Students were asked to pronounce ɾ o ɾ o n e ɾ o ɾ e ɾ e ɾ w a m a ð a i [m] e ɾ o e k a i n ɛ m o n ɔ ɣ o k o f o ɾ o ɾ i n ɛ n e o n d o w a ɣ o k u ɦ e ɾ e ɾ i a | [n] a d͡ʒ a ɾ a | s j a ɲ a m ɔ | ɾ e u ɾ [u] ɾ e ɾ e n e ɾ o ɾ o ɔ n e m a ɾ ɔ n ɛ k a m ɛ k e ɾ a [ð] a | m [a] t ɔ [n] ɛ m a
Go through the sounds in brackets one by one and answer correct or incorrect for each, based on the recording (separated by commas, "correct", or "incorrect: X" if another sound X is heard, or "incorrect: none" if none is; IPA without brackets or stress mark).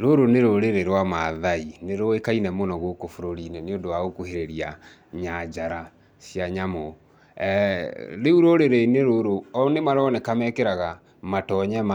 incorrect: n, incorrect: ɲ, incorrect: o, incorrect: ɣ, correct, incorrect: ɲ